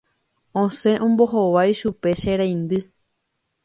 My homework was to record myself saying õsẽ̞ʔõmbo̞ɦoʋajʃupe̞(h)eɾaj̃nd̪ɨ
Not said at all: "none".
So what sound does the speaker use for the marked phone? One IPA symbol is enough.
ʃ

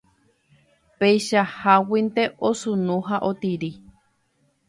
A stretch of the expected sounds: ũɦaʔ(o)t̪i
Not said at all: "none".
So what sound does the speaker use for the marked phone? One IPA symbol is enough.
o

